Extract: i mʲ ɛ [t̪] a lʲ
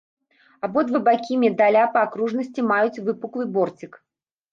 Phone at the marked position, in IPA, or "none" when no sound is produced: d̪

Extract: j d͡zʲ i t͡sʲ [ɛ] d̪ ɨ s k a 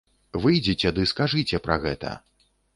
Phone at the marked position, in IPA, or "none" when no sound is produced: ɛ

